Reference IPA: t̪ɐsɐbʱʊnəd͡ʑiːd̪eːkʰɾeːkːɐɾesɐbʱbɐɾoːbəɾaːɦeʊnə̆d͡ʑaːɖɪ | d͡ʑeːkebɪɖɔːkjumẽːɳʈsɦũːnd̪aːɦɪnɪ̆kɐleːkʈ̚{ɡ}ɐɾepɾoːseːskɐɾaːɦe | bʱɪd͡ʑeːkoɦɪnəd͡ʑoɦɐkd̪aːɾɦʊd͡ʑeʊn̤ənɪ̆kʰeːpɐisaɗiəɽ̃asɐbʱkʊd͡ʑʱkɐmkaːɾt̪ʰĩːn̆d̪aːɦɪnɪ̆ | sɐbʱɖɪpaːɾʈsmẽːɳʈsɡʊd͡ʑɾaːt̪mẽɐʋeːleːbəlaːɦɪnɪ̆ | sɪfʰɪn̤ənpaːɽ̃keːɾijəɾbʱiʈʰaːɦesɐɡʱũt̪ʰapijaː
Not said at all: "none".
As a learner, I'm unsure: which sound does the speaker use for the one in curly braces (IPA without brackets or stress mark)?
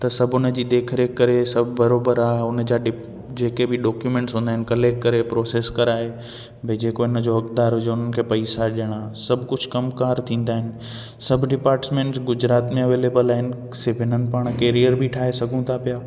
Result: k